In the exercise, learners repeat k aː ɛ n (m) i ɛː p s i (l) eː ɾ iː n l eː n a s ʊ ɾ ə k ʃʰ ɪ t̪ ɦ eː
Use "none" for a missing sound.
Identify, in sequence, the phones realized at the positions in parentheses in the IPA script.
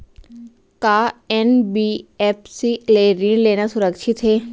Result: b, l

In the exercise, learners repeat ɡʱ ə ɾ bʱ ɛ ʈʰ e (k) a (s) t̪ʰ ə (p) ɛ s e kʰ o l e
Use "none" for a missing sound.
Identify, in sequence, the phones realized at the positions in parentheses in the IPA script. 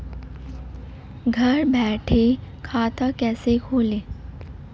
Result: kʰ, none, k

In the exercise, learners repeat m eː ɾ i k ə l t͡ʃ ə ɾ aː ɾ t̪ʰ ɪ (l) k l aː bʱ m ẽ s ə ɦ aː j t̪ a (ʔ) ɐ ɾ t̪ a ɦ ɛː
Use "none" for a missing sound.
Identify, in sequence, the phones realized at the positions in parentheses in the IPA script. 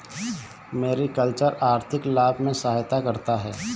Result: none, k

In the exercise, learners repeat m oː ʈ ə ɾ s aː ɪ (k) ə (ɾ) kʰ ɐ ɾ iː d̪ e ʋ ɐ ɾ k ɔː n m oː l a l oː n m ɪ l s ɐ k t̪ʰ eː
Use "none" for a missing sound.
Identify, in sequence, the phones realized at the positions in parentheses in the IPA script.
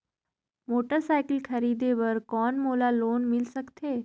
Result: k, l

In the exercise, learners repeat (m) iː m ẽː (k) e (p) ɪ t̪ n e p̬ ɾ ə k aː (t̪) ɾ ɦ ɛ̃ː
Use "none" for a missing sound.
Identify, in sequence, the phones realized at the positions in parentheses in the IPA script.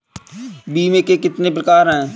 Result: b, k, k, none

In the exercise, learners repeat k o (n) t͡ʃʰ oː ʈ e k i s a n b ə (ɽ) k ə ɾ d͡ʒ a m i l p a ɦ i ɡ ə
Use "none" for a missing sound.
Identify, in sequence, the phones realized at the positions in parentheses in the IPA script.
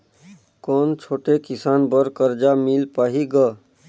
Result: n, ɾ

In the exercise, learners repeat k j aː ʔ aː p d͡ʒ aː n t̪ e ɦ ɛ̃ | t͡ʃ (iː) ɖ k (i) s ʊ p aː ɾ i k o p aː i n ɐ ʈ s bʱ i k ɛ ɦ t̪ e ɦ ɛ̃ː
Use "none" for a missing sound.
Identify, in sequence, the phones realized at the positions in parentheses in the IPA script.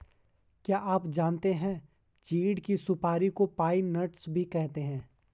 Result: iː, i

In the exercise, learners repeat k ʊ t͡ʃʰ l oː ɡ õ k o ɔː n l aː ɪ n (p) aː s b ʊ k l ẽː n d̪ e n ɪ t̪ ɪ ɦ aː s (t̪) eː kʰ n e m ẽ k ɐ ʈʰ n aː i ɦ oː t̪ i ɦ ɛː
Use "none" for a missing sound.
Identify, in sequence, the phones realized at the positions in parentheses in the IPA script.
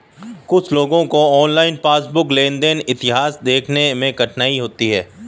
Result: p, d̪

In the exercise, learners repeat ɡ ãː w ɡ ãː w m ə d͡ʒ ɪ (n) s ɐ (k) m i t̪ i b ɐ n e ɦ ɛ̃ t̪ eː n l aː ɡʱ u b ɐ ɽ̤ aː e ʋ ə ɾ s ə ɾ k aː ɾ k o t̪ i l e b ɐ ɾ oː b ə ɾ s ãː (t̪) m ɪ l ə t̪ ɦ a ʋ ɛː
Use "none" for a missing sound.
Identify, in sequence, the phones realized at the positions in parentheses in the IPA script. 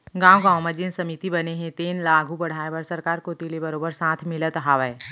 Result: n, none, t̪ʰ

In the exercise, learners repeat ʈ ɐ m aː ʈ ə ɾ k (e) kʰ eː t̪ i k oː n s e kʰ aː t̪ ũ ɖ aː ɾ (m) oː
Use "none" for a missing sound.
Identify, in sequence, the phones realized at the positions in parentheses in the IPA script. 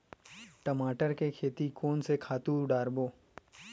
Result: e, b

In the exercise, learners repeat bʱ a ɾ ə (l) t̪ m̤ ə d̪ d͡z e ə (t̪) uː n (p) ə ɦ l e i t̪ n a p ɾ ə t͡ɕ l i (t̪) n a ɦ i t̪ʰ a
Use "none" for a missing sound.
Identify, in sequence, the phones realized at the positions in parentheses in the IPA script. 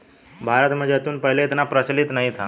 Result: none, t̪, p, t̪

